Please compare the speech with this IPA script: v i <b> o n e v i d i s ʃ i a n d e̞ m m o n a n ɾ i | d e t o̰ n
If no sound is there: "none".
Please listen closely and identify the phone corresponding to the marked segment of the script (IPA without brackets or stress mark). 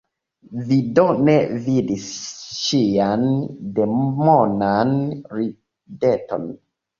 d